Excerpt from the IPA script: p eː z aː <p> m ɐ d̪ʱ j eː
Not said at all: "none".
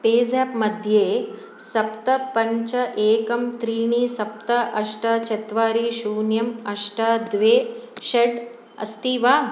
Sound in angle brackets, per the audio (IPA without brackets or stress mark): p